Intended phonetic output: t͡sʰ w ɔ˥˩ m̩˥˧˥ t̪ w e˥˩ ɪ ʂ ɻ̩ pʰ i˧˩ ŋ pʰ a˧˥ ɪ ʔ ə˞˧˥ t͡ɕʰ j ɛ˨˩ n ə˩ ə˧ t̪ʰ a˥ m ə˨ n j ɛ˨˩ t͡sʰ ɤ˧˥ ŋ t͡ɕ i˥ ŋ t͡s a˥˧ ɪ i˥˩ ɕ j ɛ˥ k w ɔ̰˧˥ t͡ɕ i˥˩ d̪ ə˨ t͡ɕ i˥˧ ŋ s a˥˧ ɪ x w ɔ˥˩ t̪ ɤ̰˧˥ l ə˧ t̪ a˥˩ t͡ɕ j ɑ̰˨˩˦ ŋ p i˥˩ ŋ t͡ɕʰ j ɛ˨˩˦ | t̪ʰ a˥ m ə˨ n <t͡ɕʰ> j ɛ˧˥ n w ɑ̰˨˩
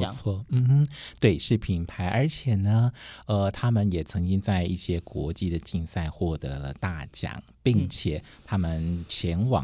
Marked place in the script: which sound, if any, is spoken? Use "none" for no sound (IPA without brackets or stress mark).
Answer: t͡ɕʰ